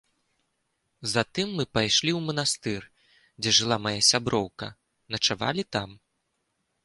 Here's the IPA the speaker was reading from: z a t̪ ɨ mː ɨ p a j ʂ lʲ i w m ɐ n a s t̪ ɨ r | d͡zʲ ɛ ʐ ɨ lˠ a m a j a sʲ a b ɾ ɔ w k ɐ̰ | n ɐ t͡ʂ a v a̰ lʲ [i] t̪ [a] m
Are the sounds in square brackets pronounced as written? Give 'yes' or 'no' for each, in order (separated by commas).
yes, yes